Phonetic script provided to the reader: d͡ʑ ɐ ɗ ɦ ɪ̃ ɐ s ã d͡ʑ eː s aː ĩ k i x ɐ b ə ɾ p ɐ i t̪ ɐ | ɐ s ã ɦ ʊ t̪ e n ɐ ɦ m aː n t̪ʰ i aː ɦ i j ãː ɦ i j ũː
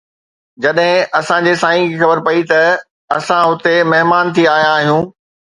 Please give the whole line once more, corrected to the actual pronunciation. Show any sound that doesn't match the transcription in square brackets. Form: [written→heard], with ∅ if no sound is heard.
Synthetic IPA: d͡ʑ ɐ ɗ ɦ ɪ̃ ɐ s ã d͡ʑ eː s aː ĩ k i x ɐ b ə ɾ p ɐ i t̪ ɐ | ɐ s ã ɦ ʊ t̪ e [n→m] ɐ ɦ m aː n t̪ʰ i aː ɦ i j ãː ɦ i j ũː

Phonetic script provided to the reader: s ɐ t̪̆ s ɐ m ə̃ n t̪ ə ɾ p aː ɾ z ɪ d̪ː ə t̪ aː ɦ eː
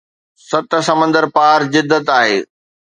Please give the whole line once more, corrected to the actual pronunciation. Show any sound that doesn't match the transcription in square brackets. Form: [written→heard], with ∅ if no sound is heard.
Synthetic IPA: s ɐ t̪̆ s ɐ m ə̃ n [t̪→d̪] ə ɾ p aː ɾ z ɪ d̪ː ə t̪ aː ɦ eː

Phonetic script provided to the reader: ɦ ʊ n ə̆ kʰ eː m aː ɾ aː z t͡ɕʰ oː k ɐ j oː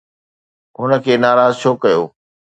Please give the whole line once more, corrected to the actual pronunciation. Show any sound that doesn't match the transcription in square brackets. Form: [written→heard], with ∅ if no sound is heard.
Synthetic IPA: ɦ ʊ n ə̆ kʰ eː [m→n] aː ɾ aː z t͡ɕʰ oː k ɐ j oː

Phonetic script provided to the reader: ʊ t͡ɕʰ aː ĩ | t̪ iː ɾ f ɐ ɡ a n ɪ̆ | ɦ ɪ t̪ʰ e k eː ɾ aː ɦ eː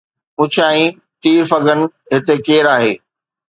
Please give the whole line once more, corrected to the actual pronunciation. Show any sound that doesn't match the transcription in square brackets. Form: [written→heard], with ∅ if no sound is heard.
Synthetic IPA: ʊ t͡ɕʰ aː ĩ | t̪ iː ɾ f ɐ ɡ [a→ə] n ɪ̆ | ɦ ɪ [t̪ʰ→t̪] e k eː ɾ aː ɦ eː

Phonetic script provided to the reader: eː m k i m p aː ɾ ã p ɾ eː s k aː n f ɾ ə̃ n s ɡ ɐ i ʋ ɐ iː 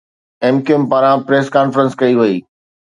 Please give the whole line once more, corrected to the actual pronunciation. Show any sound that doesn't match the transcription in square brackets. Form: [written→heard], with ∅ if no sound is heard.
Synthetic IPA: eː m k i m p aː ɾ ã p ɾ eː s k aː n f ɾ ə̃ n s [ɡ→k] ɐ i ʋ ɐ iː

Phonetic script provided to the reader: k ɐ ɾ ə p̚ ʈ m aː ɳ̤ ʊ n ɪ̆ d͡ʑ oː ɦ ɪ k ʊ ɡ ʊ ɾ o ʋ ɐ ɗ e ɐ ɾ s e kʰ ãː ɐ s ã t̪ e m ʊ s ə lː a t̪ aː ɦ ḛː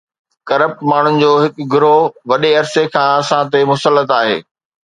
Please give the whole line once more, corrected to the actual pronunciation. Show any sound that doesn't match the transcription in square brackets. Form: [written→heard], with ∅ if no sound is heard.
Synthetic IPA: k ɐ ɾ ə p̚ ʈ m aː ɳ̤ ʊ n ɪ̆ d͡ʑ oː ɦ ɪ k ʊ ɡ ʊ ɾ o ʋ ɐ ɗ e ɐ ɾ s e kʰ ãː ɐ s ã t̪ e m ʊ s ə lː [a→ə] t̪ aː ɦ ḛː

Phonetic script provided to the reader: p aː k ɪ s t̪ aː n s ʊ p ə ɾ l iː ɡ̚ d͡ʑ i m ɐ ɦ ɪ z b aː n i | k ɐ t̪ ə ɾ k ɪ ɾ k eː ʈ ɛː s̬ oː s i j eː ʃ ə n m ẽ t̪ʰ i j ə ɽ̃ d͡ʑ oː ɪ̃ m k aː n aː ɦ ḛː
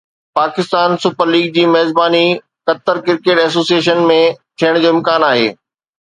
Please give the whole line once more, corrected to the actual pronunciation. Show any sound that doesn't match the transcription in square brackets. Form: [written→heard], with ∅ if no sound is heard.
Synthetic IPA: p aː k ɪ s t̪ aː n s ʊ p ə ɾ l iː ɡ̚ d͡ʑ [i→iː] m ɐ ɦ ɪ z b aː n i | k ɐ t̪ ə ɾ k ɪ ɾ k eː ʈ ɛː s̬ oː s i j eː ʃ ə n m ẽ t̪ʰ i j ə ɽ̃ d͡ʑ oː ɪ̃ m k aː n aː ɦ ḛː

